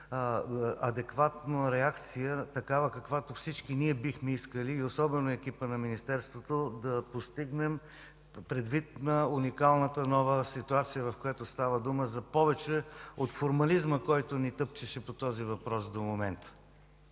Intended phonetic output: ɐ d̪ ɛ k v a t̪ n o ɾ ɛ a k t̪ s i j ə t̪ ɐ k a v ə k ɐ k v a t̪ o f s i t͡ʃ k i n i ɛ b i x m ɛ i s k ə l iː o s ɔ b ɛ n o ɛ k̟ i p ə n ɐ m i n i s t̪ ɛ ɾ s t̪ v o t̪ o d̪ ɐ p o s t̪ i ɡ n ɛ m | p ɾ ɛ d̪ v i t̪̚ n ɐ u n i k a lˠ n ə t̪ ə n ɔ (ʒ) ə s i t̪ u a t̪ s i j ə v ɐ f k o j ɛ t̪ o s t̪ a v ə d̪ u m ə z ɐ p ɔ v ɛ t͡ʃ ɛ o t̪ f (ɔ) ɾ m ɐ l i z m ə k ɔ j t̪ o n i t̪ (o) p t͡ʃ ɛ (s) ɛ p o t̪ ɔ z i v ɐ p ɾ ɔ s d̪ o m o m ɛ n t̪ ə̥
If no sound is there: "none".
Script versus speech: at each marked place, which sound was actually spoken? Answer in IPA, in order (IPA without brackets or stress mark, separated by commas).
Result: v, o, ɤ, ʃ